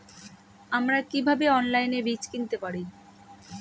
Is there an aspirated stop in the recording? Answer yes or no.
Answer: no